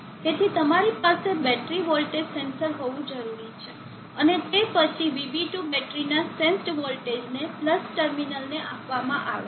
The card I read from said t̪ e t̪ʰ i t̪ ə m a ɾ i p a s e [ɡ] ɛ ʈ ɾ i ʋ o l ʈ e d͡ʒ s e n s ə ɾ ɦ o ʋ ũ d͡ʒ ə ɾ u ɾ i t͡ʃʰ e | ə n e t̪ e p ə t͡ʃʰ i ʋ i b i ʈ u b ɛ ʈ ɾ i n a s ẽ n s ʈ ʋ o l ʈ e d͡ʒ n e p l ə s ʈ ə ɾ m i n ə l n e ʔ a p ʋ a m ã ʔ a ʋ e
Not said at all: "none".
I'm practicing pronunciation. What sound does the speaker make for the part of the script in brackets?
b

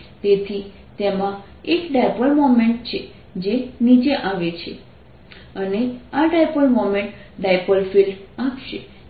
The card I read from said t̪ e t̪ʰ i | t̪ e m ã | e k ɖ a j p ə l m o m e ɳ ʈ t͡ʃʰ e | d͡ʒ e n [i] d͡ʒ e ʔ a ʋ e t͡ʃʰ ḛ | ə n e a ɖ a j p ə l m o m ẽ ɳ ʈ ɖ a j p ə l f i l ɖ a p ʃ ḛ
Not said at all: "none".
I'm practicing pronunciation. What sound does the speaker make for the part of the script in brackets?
i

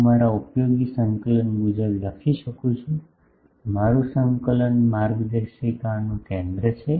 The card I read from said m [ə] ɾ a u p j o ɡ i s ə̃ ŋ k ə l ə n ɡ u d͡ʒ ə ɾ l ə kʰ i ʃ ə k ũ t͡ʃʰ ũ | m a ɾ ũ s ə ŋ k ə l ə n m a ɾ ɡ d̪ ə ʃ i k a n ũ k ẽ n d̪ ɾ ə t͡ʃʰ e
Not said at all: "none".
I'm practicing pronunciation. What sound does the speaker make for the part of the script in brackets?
a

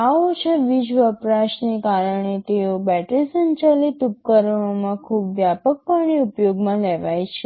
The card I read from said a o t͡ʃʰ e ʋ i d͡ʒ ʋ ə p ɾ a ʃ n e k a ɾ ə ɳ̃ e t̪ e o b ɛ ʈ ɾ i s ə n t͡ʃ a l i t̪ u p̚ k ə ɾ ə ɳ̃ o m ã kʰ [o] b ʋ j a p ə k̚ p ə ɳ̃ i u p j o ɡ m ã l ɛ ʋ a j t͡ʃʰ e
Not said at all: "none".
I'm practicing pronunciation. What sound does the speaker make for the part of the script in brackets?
u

